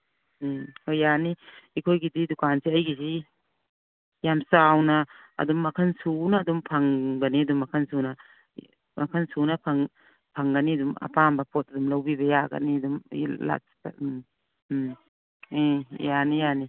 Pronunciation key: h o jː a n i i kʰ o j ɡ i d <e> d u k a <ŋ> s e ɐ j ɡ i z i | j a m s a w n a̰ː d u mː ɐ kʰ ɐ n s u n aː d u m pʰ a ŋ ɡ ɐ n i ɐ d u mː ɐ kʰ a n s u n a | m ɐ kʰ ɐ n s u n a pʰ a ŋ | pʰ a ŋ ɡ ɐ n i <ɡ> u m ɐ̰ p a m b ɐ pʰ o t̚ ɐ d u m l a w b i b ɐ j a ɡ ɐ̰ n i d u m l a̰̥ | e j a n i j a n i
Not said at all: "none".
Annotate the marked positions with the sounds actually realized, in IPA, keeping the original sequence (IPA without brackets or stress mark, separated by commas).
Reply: i, n, d